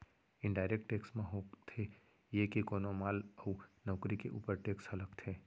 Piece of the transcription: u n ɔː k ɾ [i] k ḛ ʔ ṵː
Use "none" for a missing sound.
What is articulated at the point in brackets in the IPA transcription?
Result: i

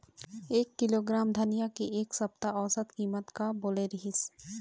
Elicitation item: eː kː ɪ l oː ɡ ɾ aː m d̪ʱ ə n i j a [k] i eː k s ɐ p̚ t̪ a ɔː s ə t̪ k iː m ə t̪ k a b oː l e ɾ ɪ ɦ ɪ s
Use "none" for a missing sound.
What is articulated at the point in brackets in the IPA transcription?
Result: k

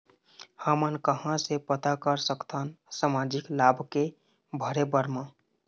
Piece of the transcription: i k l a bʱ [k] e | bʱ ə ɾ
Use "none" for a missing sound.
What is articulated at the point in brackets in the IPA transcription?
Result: k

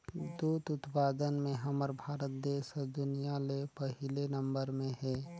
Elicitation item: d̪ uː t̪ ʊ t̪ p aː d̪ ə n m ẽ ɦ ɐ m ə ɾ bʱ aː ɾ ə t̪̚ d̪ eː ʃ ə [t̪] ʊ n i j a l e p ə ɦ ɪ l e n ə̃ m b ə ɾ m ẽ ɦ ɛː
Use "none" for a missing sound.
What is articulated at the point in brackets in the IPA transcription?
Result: d̪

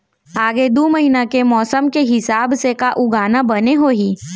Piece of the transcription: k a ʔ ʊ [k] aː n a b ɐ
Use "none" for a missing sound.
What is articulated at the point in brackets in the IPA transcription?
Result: ɡ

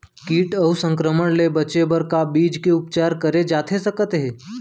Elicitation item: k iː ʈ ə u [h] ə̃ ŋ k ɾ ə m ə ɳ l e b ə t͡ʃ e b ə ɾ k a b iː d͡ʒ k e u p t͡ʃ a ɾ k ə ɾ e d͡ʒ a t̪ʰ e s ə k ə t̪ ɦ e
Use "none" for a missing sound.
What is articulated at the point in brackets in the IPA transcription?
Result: s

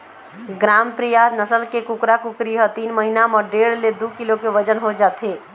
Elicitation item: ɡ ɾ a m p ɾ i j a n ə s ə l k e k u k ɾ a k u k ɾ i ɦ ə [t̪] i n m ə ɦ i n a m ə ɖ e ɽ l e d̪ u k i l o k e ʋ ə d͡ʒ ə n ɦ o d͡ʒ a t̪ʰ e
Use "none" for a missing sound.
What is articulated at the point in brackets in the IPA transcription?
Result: t̪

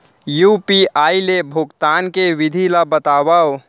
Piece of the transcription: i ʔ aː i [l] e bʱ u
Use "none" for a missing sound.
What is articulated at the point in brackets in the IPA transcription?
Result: l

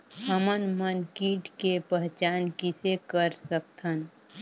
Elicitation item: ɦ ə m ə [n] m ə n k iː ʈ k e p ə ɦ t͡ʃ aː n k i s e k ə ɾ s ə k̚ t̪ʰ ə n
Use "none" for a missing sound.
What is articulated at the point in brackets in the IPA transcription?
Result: n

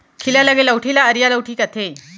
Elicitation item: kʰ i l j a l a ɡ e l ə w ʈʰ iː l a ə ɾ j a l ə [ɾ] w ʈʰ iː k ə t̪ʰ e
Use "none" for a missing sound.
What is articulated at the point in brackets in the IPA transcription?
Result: none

